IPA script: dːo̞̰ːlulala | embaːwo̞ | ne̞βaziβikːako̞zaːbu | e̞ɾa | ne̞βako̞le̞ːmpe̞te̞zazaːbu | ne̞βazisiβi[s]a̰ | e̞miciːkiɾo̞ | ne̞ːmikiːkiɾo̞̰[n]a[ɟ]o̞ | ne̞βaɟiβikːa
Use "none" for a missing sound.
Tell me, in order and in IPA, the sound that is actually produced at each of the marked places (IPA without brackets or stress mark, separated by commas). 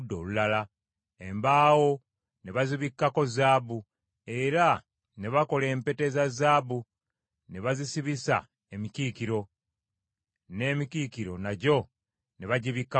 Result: s, n, ɟ